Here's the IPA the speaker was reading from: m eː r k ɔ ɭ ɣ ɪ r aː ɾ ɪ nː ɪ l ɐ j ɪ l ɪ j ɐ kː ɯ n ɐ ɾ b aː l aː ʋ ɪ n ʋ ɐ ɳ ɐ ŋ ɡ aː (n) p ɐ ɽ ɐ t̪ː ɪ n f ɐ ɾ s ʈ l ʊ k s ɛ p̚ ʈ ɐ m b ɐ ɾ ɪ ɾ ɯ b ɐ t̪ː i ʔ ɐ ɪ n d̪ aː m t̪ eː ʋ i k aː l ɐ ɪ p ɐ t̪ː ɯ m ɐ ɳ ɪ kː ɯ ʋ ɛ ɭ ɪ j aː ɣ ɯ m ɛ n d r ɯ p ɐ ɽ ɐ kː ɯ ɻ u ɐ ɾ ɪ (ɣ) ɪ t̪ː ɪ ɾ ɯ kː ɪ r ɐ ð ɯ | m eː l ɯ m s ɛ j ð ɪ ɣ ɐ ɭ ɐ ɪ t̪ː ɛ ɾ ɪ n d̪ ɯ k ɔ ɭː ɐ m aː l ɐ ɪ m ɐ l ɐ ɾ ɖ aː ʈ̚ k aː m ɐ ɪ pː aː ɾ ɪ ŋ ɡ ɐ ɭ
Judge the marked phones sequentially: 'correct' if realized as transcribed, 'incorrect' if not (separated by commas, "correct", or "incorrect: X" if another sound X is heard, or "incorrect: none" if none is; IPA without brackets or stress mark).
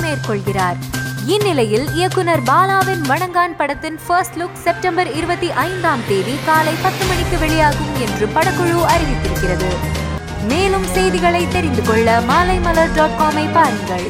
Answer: correct, correct